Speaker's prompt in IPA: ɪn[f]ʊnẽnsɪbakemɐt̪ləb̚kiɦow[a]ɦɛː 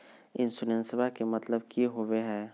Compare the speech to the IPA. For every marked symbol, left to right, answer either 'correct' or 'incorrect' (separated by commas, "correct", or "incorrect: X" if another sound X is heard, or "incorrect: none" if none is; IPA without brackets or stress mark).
incorrect: s, incorrect: e